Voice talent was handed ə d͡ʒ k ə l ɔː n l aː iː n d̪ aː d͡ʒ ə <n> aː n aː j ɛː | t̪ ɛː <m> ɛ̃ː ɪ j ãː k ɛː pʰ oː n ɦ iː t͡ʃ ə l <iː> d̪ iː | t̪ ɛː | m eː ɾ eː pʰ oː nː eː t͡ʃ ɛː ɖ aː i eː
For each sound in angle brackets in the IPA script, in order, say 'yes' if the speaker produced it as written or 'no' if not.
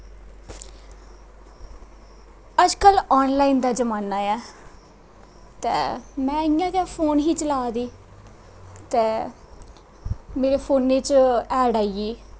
no, yes, no

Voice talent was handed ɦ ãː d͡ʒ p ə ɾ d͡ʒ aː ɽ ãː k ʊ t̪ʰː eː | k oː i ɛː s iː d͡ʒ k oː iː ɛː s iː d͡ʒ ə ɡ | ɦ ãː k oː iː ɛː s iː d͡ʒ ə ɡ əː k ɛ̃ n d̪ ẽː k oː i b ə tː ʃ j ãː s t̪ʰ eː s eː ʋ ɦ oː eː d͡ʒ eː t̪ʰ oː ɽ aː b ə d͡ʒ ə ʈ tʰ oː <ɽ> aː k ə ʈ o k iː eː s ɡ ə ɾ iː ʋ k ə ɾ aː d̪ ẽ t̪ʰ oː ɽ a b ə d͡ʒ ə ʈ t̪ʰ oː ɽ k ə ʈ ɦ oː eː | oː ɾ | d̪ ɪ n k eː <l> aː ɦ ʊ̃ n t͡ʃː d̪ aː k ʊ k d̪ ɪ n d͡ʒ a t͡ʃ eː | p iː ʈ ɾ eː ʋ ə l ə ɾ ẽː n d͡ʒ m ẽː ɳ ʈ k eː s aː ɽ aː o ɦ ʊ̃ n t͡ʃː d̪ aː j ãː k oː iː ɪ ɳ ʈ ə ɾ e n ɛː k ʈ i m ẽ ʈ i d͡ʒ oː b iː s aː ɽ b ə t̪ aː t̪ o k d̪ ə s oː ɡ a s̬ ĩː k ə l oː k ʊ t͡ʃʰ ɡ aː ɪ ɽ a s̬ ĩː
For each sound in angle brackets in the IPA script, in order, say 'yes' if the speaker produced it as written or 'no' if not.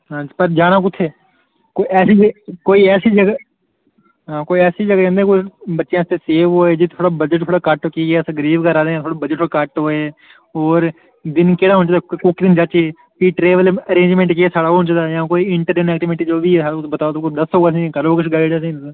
yes, no

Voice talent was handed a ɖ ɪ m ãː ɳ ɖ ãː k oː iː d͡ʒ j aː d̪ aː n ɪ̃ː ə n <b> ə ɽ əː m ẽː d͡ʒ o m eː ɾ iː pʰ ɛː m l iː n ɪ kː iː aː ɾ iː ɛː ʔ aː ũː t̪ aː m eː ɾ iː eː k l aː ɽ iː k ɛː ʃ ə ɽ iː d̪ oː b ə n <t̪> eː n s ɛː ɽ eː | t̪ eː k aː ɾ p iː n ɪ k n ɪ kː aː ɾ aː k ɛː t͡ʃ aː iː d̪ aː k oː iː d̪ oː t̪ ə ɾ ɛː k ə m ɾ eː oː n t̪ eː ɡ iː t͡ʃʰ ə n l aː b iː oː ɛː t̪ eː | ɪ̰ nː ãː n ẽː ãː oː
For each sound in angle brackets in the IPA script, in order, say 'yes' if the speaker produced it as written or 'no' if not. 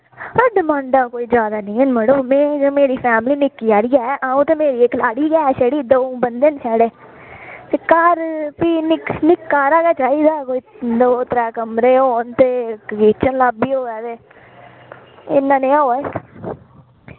no, no

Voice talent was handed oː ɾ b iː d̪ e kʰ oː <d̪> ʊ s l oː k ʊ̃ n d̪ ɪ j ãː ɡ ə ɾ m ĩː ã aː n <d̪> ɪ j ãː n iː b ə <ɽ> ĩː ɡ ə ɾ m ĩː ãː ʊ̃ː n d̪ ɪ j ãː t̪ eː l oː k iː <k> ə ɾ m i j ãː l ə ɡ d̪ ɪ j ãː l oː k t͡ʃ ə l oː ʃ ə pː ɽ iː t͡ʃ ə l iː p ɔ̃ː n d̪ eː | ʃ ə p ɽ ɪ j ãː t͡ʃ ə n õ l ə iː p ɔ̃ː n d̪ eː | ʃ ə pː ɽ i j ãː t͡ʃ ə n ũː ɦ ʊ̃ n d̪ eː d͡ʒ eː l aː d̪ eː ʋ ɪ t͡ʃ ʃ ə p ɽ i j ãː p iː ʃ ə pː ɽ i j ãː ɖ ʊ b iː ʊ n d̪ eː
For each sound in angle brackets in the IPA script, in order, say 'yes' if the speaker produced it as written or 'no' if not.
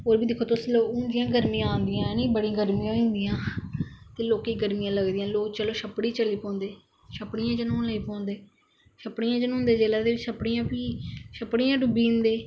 no, yes, yes, no

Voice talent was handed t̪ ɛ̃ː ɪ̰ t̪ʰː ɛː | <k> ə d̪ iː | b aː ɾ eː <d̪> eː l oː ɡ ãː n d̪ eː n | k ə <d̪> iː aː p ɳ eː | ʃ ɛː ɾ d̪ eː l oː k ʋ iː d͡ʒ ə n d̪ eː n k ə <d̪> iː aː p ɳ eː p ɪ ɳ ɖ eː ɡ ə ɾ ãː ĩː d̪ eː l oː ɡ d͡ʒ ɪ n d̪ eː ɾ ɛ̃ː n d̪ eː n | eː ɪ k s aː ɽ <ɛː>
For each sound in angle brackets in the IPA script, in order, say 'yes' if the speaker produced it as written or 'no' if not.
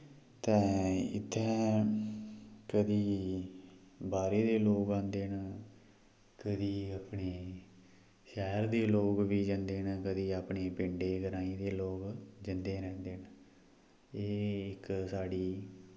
yes, yes, yes, yes, no

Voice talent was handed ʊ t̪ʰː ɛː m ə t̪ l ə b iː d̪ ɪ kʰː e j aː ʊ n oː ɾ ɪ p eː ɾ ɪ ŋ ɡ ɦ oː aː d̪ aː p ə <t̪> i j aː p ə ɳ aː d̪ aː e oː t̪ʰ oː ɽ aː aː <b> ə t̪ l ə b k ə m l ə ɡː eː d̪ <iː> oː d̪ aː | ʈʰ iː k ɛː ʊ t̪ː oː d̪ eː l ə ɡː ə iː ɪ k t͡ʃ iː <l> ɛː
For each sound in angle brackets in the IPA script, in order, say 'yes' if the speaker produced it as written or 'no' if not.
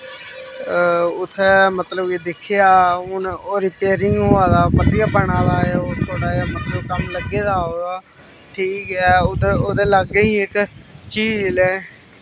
yes, no, no, yes

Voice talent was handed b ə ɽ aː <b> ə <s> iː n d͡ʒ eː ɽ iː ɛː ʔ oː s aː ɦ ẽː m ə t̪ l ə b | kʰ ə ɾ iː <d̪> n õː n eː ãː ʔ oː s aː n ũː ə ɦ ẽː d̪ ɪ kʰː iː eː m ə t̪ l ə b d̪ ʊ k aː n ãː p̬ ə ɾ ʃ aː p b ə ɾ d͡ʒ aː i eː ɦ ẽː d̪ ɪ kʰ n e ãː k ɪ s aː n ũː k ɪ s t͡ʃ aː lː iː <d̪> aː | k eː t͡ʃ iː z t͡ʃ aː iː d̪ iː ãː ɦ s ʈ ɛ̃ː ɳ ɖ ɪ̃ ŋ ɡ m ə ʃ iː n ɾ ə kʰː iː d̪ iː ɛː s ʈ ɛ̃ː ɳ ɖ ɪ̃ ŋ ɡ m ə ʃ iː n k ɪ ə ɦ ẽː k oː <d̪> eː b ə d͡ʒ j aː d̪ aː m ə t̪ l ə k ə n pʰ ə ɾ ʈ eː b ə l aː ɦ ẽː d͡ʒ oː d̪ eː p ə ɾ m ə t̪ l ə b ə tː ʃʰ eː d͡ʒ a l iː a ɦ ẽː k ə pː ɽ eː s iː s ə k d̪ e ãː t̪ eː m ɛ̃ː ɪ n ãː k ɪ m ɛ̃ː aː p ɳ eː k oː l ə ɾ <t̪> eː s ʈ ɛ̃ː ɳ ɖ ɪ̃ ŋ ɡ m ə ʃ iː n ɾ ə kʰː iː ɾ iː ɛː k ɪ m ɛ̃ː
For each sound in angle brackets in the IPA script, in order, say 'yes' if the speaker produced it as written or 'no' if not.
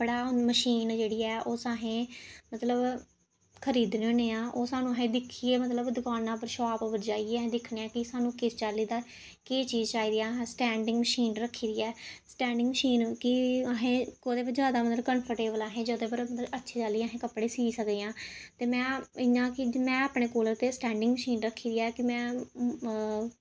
no, no, yes, yes, yes, yes

